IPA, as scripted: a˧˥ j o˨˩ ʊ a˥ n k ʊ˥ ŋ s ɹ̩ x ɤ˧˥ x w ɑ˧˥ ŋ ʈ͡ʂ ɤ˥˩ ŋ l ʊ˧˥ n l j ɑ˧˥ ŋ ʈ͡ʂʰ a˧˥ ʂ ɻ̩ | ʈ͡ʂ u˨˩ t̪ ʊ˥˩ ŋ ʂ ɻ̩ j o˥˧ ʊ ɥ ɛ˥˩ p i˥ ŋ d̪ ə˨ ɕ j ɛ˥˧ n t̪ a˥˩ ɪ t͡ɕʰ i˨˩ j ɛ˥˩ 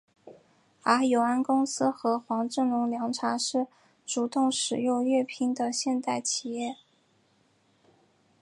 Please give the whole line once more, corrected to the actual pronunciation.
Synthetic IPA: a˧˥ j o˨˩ ʊ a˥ n k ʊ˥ ŋ s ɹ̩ x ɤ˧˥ x w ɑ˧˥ ŋ ʈ͡ʂ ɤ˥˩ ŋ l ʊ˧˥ ŋ l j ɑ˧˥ ŋ ʈ͡ʂʰ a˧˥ ʂ ɻ̩ | ʈ͡ʂ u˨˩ t̪ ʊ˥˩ ŋ ʂ ɻ̩ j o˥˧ ʊ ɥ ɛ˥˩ pʰ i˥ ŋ d̪ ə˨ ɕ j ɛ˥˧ n t̪ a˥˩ ɪ t͡ɕʰ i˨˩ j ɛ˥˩